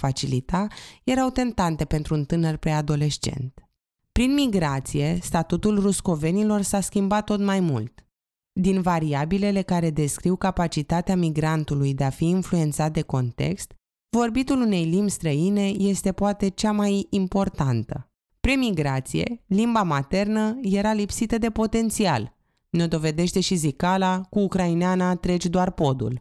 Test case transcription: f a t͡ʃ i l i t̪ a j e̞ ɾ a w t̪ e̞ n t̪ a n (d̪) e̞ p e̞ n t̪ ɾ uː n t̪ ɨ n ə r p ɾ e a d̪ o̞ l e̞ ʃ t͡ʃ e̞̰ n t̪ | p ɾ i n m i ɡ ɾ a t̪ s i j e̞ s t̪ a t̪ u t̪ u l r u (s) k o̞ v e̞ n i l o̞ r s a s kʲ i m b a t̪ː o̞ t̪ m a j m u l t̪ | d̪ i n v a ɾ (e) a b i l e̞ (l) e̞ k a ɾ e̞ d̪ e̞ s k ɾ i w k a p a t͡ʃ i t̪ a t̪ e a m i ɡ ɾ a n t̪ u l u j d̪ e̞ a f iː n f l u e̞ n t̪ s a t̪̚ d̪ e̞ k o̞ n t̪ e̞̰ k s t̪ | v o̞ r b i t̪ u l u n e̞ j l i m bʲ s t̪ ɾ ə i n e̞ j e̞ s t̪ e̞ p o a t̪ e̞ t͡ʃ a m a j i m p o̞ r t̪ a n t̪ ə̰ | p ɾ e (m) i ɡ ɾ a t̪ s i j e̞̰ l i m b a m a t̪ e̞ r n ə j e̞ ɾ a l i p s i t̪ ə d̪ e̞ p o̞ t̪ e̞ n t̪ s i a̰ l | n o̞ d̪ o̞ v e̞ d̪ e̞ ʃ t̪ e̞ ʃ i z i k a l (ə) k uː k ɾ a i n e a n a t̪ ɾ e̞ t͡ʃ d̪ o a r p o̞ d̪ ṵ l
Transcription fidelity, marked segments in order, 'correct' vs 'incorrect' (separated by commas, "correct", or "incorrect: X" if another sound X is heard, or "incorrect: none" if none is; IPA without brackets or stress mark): incorrect: t̪, correct, incorrect: i, correct, correct, incorrect: a